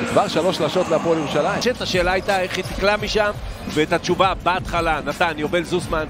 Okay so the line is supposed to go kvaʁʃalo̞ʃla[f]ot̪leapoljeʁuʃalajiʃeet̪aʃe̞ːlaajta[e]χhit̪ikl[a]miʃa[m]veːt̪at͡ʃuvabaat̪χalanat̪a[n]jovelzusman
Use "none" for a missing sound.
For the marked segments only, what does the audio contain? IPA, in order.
ʃ, e, a, m, n

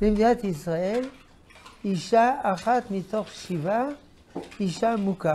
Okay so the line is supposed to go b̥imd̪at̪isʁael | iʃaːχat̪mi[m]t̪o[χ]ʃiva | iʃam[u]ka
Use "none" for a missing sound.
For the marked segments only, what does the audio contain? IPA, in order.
none, χ, u

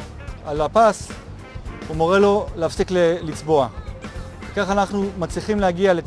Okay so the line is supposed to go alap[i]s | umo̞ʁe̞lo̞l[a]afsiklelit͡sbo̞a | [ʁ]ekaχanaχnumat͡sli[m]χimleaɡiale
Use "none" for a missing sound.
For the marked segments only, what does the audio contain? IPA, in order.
a, e, v, none

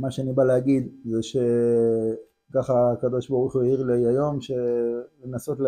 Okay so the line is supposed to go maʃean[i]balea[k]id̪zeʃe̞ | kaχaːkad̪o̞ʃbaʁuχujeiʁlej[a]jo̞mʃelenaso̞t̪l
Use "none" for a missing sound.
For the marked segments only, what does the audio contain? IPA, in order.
i, ɡ, a

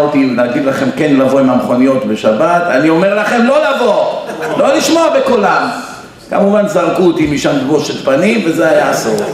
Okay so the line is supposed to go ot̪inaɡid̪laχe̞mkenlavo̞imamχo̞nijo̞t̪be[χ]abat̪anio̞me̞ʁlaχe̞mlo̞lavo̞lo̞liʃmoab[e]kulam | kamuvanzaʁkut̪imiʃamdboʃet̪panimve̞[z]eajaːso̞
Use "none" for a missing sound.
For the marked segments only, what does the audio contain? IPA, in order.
ʃ, e, z

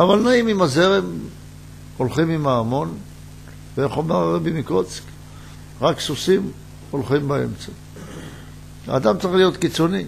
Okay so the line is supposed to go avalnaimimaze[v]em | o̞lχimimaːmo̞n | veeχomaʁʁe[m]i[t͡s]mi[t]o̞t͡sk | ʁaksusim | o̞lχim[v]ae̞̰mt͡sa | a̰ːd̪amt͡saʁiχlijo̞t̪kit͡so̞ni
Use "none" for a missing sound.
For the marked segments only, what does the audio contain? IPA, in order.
ʁ, b, none, k, b

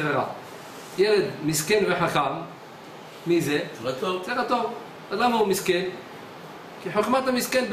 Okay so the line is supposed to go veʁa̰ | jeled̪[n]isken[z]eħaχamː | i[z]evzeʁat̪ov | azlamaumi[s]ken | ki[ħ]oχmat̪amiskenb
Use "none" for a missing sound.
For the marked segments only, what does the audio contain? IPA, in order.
m, v, z, s, ħ

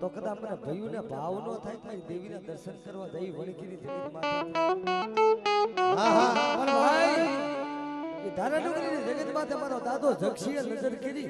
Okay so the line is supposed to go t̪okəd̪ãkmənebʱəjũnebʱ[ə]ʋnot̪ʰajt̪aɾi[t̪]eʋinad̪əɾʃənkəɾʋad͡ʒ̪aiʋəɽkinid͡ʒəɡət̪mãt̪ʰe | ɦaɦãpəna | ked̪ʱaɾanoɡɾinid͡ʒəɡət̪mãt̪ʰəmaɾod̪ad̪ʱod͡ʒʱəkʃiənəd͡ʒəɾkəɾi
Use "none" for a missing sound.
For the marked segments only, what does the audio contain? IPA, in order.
a, d̪

